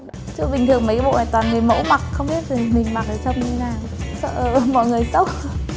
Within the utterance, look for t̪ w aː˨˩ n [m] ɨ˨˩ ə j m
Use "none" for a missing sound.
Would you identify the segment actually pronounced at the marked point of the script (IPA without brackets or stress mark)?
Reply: ŋ